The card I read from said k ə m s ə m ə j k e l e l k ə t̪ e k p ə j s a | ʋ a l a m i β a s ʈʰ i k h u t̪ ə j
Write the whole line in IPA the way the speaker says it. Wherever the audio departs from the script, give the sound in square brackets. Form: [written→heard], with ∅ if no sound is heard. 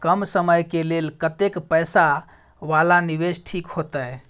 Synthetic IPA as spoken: k ə m s ə m ə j k e l e l k ə t̪ e k p ə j s a | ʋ a l a [m→n] i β [a→e] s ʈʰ i k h [u→o] t̪ ə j